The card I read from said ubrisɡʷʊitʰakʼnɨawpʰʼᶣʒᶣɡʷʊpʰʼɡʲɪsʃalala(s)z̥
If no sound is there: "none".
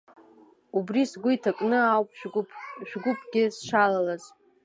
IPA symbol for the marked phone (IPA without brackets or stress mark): none